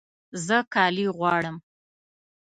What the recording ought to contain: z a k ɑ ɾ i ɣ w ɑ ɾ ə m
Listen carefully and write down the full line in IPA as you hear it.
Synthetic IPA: z ə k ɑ l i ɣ w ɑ ɽ ə m